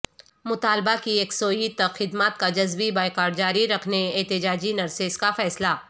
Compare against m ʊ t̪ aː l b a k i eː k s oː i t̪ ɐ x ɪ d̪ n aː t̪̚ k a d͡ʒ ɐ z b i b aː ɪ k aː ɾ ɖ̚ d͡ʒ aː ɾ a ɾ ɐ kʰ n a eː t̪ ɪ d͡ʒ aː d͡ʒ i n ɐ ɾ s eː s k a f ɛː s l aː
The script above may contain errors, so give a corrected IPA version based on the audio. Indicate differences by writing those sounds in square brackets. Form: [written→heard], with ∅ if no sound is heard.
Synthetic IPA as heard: m ʊ t̪ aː l b a k i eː k s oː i t̪ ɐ x ɪ d̪ [n→m] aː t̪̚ k a d͡ʒ ɐ z b i b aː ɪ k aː ɾ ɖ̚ d͡ʒ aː ɾ [a→i] ɾ ɐ kʰ n [a→e] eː t̪ ɪ d͡ʒ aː d͡ʒ i n ɐ ɾ s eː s k a f ɛː s l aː